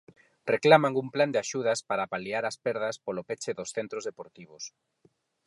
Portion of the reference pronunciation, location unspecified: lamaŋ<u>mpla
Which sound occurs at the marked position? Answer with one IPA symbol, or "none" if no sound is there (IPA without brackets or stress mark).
u